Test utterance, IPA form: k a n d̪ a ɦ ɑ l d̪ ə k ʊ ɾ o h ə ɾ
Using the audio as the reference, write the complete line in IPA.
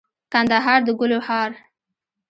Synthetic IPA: k a n d̪ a ɦ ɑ ɾ d̪ ə ɡ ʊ l o h ɑ ɾ